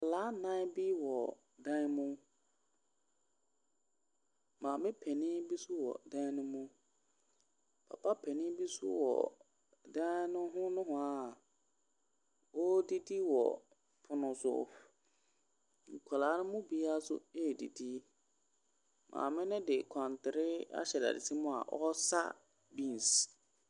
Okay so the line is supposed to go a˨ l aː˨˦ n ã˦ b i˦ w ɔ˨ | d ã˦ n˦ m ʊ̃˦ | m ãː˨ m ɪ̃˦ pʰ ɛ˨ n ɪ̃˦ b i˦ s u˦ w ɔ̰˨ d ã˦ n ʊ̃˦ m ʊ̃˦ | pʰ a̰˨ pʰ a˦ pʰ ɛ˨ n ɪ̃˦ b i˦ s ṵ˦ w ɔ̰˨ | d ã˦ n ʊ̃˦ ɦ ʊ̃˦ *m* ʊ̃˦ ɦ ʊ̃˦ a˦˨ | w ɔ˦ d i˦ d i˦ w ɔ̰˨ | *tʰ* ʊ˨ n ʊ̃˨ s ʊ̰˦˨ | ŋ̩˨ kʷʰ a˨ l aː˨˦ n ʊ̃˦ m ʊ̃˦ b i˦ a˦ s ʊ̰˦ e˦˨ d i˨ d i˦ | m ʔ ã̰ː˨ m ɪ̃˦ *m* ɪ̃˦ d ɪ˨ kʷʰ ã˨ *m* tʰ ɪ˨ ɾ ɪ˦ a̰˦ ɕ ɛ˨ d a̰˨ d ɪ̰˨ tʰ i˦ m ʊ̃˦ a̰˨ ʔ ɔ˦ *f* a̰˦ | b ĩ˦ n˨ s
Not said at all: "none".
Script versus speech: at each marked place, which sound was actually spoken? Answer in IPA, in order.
n, pʰ, n, n, s

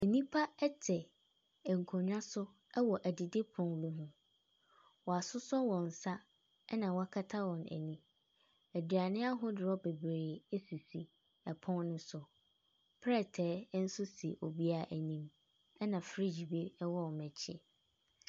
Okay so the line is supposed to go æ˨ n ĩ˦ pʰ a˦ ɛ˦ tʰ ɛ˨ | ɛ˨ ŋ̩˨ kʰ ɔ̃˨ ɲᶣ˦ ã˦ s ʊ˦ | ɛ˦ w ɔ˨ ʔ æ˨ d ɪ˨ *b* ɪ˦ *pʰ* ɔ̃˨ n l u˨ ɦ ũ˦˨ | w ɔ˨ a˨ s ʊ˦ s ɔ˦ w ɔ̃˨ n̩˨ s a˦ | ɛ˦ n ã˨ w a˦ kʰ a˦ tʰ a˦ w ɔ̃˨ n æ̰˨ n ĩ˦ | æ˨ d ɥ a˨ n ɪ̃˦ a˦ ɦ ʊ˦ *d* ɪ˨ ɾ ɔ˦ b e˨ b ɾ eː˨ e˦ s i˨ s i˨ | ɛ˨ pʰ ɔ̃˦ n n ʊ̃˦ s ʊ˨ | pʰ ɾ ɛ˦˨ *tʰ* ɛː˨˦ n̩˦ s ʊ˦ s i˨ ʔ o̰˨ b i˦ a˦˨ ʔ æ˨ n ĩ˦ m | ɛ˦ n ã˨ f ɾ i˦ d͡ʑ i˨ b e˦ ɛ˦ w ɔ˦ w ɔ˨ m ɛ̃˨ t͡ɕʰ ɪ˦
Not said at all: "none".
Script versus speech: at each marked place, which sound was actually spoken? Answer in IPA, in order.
d, pʰ, d, tʰ

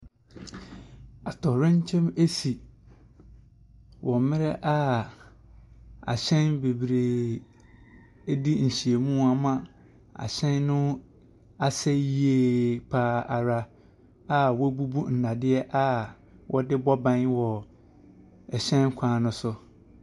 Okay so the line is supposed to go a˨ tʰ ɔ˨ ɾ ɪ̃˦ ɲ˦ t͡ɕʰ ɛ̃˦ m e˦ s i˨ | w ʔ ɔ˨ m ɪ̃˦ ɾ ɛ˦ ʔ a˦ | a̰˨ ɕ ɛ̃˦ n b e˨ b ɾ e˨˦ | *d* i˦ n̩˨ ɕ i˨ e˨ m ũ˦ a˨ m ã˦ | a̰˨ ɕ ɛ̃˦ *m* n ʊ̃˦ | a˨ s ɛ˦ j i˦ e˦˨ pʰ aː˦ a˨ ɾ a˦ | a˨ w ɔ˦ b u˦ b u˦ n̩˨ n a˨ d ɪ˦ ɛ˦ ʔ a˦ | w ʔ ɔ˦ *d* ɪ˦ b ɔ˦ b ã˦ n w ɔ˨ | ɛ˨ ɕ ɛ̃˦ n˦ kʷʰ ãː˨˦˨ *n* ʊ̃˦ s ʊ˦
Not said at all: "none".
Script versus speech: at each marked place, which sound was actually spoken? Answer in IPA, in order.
d, n, d, n

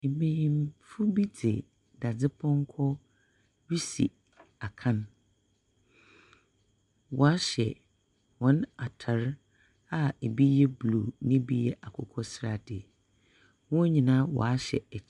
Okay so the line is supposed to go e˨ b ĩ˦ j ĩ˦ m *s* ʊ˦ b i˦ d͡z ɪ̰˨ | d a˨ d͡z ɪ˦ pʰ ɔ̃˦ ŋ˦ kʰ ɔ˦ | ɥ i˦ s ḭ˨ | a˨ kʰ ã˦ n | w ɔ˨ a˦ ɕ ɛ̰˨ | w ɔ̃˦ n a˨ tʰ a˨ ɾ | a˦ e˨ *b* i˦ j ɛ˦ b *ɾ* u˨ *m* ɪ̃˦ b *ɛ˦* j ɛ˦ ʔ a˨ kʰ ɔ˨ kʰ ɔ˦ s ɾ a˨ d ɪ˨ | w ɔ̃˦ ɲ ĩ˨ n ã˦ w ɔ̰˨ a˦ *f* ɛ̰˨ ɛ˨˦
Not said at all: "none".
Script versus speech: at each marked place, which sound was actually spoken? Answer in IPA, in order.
f, b, l, n, i˦, ɕ

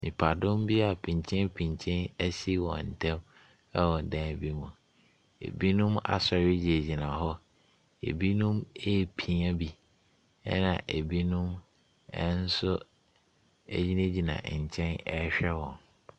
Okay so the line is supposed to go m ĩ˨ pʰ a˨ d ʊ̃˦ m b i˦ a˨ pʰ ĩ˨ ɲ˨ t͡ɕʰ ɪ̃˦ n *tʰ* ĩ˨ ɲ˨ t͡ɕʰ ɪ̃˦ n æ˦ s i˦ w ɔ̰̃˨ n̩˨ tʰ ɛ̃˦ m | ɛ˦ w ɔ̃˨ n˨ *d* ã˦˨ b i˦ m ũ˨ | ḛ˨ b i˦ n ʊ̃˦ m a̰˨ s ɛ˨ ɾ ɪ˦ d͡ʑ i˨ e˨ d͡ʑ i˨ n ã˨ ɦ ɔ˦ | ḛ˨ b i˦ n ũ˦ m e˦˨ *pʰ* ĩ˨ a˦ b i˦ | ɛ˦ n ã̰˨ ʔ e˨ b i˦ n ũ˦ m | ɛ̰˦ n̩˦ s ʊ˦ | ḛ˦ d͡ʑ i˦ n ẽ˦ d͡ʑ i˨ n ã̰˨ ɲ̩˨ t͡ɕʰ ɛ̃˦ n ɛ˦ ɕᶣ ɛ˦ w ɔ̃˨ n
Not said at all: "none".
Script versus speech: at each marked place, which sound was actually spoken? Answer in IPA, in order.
pʰ, d, pʰ

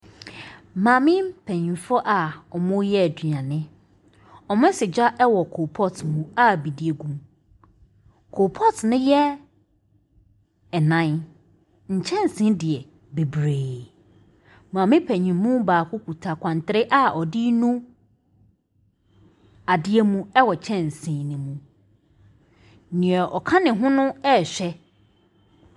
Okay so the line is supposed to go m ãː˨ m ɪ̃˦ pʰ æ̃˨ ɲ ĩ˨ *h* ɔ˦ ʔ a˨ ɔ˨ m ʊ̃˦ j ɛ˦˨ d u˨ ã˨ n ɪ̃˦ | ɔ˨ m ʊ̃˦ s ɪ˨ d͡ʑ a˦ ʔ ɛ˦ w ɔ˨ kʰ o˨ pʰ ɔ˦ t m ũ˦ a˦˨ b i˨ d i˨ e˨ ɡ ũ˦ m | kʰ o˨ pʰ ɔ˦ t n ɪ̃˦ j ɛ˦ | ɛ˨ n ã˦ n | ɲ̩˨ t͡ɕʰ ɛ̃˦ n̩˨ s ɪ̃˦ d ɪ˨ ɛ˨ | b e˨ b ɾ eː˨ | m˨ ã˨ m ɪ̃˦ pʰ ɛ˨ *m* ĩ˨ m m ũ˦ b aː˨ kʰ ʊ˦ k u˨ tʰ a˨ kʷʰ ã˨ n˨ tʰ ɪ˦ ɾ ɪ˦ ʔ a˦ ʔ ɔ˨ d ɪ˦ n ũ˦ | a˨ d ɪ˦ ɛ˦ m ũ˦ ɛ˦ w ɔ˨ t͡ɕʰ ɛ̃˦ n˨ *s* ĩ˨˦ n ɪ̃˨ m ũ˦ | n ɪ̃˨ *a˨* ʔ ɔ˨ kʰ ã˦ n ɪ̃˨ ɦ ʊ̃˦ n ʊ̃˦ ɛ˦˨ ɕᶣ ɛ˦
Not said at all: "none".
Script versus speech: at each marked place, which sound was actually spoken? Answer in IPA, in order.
f, ɲ, s, ɛ˨

